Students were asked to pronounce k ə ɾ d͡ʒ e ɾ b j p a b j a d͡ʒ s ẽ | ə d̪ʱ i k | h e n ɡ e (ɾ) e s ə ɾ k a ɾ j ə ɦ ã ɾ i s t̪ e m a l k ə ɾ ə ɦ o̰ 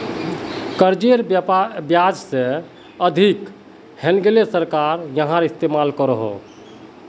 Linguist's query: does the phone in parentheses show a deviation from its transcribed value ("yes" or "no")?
yes